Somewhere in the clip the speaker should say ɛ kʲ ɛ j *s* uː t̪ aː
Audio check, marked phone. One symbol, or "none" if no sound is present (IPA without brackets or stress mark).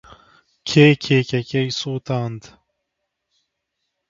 s